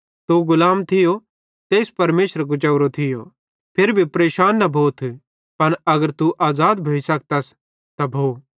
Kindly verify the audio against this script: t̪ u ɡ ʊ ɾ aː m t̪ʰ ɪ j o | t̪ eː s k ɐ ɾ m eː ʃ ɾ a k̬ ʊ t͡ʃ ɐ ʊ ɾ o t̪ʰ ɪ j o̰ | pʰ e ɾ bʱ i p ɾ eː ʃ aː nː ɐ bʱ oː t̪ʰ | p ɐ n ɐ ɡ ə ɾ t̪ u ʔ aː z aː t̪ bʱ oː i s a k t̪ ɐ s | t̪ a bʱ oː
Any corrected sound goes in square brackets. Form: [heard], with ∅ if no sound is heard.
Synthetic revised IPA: t̪ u ɡ ʊ [l] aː m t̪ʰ ɪ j o | t̪ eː s [p] ɐ ɾ m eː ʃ ɾ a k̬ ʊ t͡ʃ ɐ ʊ ɾ o t̪ʰ ɪ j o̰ | pʰ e ɾ bʱ i p ɾ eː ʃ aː nː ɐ bʱ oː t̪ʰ | p ɐ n ɐ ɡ ə ɾ t̪ u ʔ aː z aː [d̪] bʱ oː i s [ɐ] k t̪ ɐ s | t̪ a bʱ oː